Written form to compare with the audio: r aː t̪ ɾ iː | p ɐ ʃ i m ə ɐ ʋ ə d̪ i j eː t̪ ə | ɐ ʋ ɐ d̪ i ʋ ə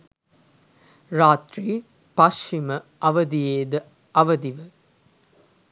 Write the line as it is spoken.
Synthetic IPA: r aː t̪ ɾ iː | p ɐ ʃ i m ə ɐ ʋ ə d̪ i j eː d̪ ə | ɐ ʋ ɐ d̪ i ʋ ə